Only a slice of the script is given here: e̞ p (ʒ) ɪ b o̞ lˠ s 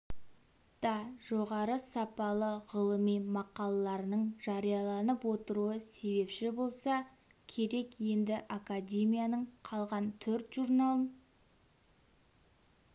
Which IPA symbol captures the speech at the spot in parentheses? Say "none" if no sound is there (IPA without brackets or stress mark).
ʃ